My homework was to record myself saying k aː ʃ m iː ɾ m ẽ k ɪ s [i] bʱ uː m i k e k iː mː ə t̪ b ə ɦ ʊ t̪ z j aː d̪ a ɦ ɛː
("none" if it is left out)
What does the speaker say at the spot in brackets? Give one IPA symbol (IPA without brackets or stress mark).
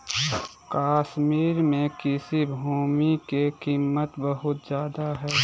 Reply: i